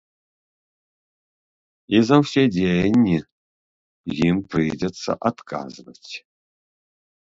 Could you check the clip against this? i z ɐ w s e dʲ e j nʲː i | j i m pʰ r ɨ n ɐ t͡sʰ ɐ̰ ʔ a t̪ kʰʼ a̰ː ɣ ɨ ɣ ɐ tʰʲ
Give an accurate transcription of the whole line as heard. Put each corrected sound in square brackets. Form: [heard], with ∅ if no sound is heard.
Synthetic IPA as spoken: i z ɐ w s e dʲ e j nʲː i | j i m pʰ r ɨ [d] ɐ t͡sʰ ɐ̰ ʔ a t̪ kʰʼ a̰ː [z] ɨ [v] ɐ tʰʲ